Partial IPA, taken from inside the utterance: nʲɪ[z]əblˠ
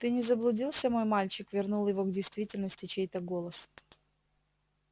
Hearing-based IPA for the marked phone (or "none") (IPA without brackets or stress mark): z